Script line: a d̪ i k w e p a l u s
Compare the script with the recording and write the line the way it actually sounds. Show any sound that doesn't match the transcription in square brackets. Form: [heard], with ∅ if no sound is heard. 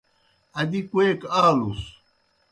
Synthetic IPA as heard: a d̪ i k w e [k] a l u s